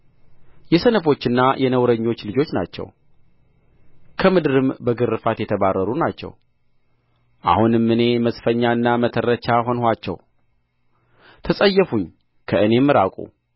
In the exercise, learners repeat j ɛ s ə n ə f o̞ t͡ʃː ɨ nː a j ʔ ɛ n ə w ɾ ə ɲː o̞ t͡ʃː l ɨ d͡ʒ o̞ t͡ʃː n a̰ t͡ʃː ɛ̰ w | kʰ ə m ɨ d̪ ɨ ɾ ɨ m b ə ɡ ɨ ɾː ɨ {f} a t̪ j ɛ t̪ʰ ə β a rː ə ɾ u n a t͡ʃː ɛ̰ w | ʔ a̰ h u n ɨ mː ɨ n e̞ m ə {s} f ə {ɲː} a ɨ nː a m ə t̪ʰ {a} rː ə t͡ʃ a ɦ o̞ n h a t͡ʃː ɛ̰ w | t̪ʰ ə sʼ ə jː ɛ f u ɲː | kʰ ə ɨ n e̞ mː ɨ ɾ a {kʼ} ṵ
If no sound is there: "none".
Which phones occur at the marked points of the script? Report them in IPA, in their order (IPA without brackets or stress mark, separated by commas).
f, s, ɲː, ə, kʼ